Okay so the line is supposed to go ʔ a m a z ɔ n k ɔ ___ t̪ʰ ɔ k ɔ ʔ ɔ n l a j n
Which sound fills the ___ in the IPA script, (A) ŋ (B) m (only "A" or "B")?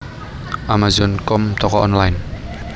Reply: B